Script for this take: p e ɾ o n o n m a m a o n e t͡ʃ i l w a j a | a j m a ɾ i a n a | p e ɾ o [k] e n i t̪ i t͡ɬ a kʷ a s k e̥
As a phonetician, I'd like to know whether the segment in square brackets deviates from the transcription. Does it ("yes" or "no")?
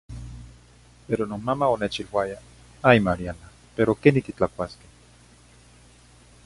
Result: no